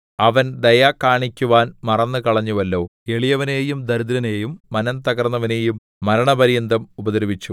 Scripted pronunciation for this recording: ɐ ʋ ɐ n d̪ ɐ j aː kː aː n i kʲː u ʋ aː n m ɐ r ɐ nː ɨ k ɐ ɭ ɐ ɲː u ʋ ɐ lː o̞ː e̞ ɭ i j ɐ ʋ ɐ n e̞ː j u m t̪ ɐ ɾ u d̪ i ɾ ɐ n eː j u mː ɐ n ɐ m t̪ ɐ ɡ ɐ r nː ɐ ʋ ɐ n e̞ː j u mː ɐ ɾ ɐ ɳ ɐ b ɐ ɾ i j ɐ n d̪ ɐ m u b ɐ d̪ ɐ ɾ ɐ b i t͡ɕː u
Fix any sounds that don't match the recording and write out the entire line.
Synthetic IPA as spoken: ɐ ʋ ɐ n d̪ ɐ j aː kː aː ɳ i kʲː u ʋ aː n m ɐ r ɐ nː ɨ k ɐ ɭ ɐ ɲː u ʋ ɐ lː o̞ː e̞ ɭ i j ɐ ʋ ɐ n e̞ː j u m d̪ ɐ ɾ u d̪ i ɾ ɐ n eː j u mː ɐ n ɐ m t̪ ɐ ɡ ɐ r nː ɐ ʋ ɐ n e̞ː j u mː ɐ ɾ ɐ ɳ ɐ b ɐ ɾ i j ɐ n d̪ ɐ m u b ɐ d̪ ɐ ɾ ɐ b i t͡ɕː u

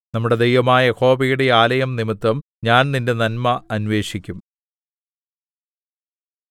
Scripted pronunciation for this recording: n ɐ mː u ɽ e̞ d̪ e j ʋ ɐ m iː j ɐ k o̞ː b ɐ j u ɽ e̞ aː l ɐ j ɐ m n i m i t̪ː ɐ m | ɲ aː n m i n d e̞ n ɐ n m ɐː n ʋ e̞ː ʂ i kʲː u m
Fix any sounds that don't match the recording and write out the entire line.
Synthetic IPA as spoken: n ɐ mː u ɽ e̞ d̪ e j ʋ ɐ m aː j ɐ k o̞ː b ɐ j u ɽ e̞ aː l ɐ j ɐ m n i m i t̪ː ɐ m | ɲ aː n n i n d e̞ n ɐ n m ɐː n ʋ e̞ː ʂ i kʲː u m

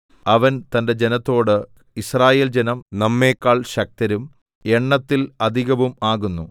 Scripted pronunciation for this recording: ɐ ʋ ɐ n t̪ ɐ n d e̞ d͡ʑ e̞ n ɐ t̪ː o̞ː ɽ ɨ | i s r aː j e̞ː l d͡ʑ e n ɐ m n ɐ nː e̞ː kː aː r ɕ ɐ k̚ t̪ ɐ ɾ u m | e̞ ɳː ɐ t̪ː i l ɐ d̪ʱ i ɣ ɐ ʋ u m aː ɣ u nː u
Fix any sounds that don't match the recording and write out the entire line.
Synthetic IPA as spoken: ɐ ʋ ɐ n t̪ ɐ n d e̞ d͡ʑ e̞ n ɐ t̪ː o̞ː ɽ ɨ | i s r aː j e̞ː l d͡ʑ e n ɐ m n ɐ mː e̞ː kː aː ɭ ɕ ɐ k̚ t̪ ɐ ɾ u m | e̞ ɳː ɐ t̪ː i l ɐ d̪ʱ i ɣ ɐ ʋ u m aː ɣ u nː u

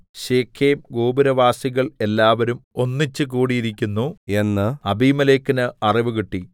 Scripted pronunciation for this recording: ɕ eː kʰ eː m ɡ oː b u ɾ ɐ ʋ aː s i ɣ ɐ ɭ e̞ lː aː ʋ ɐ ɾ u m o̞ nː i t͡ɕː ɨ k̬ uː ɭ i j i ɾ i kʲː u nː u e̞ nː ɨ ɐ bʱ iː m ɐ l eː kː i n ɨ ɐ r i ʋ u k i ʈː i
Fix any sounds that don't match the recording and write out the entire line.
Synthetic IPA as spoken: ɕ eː kʰ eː m ɡ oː b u ɾ ɐ ʋ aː s i ɣ ɐ ɭ e̞ lː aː ʋ ɐ ɾ u m o̞ nː i t͡ɕː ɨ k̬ uː ɽ i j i ɾ i kʲː u nː u e̞ nː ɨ ɐ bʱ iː m ɐ l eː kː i n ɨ ɐ r i ʋ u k i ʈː i

